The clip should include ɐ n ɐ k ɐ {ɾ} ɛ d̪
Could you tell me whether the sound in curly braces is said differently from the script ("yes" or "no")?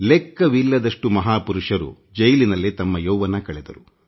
yes